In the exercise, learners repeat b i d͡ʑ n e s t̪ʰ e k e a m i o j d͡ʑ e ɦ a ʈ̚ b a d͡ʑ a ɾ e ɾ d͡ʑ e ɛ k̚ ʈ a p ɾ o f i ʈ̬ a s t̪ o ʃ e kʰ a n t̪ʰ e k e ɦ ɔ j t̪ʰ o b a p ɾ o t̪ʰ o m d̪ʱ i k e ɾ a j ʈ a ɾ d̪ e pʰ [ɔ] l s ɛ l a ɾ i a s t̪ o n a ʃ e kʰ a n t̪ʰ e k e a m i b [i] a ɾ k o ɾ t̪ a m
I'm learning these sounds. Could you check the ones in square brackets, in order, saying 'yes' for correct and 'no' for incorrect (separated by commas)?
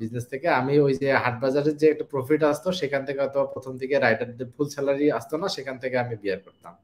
no, yes